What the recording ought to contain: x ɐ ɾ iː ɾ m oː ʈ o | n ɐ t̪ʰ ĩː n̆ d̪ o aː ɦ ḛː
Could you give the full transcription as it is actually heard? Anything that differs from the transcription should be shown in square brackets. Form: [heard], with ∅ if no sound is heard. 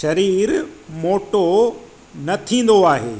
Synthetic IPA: [ʃ] ɐ ɾ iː ɾ m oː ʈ o | n ɐ t̪ʰ ĩː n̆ d̪ o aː ɦ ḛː